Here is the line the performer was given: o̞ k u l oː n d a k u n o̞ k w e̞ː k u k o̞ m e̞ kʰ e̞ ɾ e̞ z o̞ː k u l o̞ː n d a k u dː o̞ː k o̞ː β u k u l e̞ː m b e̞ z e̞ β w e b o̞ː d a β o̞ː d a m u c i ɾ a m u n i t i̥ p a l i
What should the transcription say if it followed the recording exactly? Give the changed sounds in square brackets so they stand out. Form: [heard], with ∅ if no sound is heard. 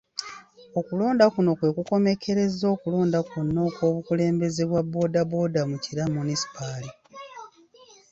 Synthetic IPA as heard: o̞ k u l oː n d a k u n o̞ k w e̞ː k u k o̞ m e̞ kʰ e̞ ɾ e̞ z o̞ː k u l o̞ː n d a k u [nː] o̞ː k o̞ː β u k u l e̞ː m b e̞ z e̞ β w [a] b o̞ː d a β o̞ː d a m u c i ɾ a m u n i [s] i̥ p a l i